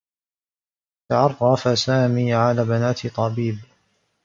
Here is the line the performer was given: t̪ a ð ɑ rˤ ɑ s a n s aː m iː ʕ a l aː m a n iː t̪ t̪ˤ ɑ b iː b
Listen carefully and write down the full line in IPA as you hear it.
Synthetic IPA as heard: t̪ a ʕ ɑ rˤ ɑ f a s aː m iː ʕ a l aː b a n aː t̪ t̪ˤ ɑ b iː b